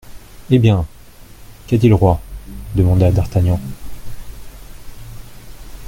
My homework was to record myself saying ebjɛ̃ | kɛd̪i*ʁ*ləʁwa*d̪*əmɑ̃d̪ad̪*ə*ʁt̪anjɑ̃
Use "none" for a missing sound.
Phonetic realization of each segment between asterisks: none, d̪, a

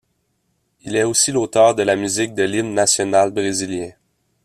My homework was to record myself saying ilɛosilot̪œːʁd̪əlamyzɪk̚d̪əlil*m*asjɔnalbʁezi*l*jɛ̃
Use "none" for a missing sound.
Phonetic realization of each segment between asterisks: n, l

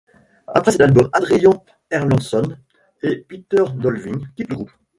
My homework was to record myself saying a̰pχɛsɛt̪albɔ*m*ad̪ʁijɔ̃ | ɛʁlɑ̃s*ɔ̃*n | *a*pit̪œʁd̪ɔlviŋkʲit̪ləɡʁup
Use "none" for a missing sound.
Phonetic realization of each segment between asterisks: m, ɔ, e

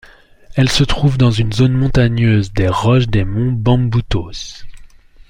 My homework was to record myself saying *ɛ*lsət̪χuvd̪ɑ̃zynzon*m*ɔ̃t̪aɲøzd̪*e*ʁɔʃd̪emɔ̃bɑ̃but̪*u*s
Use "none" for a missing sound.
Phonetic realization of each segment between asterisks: ɛ, m, e, o

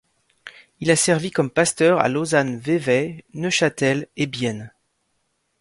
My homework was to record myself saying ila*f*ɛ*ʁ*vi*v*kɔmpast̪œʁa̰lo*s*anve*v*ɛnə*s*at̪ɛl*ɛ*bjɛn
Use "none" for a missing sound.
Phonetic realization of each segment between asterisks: s, ʁ, none, z, v, ʃ, e

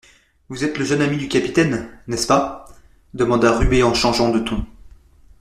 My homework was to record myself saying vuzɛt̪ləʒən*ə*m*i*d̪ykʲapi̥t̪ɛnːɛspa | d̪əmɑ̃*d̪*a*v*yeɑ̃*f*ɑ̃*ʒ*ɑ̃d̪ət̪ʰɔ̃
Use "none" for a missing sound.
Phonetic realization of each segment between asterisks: a, i, d̪, ʁ, ʃ, ʒ

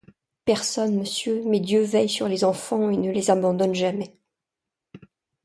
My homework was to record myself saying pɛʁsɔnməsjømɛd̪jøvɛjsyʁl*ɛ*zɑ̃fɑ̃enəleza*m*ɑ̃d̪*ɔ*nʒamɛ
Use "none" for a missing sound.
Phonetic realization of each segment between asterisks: e, b, ɔ

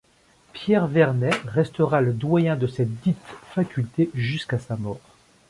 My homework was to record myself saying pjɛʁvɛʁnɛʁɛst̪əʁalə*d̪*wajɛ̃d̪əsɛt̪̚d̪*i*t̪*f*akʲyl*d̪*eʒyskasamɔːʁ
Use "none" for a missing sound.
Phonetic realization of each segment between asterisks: d̪, i, f, t̪

